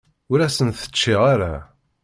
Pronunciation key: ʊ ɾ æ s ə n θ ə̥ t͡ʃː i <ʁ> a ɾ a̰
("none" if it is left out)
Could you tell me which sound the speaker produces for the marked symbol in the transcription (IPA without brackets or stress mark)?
ʁ